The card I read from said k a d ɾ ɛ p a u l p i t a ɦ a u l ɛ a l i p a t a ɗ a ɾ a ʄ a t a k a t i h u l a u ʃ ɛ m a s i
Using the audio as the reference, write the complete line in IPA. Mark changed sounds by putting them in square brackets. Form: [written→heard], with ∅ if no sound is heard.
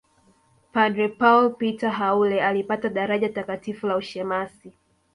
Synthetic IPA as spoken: [k→p] a d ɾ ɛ p a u l p i t a ɦ a u l ɛ a l i p a t a ɗ a ɾ a ʄ a t a k a t i [h→f] u l a u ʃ ɛ m a s i